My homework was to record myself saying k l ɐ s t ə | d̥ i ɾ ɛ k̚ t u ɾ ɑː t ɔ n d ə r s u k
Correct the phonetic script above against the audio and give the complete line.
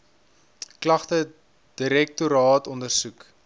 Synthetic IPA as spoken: k l ɐ χ t ə | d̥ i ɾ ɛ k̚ t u ɾ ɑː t ɔ n d ə r s u k